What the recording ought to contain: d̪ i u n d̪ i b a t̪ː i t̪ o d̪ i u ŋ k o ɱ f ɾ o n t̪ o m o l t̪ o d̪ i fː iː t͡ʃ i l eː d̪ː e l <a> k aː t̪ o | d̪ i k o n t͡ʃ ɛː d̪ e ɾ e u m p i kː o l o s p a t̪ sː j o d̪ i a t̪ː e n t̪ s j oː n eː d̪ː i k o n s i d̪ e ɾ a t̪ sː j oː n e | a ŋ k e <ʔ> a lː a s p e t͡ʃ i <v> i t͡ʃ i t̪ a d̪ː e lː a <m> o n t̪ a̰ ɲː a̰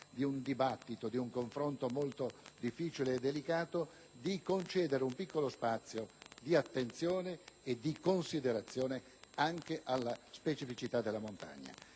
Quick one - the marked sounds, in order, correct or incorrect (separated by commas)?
incorrect, correct, incorrect, correct